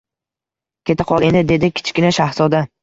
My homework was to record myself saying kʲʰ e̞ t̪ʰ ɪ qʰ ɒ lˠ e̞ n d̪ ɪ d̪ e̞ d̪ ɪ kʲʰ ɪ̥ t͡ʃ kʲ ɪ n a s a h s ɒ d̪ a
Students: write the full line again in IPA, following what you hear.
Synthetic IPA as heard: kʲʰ e̞ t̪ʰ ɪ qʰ ɒ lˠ e̞ n d̪ ɪ d̪ e̞ d̪ ɪ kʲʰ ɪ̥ t͡ʃ kʲ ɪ n a ʃ a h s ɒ d̪ a